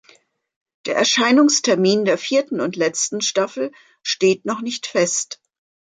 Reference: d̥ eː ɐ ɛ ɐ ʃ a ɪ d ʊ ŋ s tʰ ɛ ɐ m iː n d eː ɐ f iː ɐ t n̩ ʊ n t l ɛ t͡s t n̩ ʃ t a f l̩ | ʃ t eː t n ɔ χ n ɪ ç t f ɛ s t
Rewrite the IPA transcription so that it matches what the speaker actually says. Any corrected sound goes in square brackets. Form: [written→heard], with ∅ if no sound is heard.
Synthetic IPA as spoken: d̥ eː ɐ ɛ ɐ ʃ a ɪ [d→n] ʊ ŋ s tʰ ɛ ɐ m iː n d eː ɐ f iː ɐ t n̩ ʊ n t l ɛ t͡s t n̩ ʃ t a f l̩ | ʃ t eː t n ɔ χ n ɪ ç t f ɛ s t